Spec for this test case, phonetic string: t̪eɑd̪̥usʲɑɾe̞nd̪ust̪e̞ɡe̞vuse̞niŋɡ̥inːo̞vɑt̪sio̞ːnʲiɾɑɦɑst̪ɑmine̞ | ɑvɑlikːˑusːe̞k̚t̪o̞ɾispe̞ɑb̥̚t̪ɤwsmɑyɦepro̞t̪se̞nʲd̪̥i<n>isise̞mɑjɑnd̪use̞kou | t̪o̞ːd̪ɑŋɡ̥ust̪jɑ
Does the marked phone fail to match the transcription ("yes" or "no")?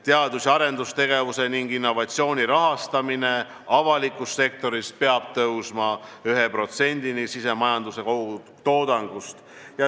no